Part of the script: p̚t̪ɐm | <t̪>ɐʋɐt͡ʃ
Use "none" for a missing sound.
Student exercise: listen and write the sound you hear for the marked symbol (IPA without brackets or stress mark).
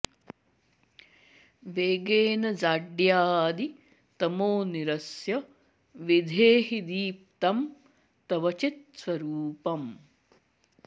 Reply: t̪